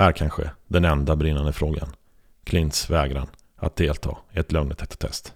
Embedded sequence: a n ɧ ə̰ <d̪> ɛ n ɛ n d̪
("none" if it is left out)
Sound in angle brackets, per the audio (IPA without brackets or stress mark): d̪